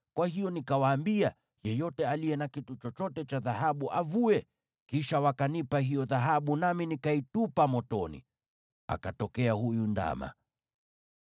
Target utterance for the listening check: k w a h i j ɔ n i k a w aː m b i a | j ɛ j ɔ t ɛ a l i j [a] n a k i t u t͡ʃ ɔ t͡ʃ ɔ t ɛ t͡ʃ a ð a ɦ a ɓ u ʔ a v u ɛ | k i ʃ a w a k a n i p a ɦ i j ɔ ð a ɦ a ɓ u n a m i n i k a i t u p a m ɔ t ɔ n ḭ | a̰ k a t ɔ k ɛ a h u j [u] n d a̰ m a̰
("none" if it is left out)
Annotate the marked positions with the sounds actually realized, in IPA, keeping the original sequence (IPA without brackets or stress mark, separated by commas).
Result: ɛ, u